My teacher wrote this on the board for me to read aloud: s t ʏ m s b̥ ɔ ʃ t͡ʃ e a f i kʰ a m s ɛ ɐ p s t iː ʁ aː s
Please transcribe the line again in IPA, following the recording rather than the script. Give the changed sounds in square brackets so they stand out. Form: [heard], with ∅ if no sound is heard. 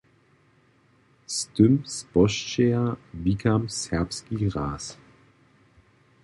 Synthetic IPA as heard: s t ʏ m s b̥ ɔ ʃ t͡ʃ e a [v] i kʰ a m s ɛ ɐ p s [k] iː ʁ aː s